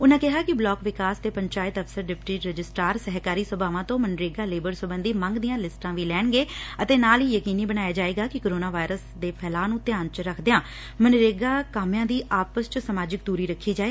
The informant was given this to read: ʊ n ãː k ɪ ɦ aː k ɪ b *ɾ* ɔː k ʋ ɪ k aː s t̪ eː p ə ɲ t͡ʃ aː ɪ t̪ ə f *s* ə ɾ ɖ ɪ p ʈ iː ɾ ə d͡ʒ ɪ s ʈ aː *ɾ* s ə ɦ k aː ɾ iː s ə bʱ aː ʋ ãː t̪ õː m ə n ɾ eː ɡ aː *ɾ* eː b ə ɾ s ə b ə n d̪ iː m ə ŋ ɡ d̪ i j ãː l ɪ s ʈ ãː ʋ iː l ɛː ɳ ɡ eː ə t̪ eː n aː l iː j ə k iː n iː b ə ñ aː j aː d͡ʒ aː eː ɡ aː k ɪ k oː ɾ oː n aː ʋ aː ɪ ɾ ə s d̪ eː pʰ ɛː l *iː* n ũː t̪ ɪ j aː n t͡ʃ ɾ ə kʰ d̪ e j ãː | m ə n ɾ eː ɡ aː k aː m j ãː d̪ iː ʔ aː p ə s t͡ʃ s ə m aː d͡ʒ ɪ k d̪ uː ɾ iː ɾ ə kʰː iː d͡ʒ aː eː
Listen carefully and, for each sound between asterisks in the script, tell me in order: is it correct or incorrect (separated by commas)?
incorrect, correct, correct, incorrect, incorrect